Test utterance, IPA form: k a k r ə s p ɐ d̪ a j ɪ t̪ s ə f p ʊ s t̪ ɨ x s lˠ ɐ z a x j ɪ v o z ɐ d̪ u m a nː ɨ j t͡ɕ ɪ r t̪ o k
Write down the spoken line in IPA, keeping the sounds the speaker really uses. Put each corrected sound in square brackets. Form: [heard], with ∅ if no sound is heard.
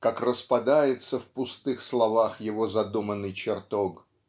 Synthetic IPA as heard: k a k r ə s p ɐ d̪ a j ɪ t̪ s ə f p ʊ s t̪ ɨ x s lˠ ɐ [v] a x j ɪ v o z ɐ d̪ u m [ə] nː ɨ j t͡ɕ ɪ r t̪ o k